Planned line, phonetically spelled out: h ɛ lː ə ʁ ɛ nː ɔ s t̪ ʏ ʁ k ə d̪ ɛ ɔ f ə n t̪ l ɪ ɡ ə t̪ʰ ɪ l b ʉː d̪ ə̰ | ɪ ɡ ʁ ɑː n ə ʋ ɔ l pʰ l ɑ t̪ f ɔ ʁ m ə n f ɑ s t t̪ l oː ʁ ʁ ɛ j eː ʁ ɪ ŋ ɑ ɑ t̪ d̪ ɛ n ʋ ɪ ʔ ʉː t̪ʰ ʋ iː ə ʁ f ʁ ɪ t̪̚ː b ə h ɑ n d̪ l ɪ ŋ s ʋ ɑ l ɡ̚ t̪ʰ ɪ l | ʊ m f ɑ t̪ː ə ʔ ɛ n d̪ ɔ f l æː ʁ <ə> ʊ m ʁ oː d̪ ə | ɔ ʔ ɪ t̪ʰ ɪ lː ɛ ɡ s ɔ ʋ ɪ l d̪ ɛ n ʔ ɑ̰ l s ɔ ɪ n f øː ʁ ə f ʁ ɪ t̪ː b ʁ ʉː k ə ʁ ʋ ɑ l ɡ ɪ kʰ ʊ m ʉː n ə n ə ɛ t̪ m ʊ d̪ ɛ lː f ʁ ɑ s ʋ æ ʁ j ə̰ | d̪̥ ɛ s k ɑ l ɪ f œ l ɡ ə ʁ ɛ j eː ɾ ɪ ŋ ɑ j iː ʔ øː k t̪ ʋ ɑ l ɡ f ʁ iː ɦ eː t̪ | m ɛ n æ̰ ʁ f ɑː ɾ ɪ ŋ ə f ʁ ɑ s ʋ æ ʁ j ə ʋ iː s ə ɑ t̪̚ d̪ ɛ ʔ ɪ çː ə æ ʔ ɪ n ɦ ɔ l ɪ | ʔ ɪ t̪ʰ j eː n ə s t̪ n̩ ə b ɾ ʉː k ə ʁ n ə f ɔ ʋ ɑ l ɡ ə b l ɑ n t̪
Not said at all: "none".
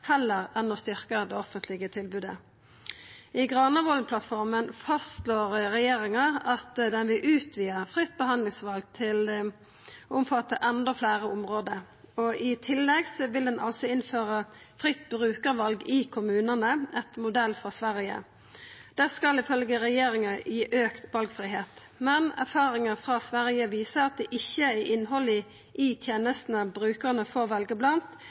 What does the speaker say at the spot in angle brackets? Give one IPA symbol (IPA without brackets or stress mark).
ə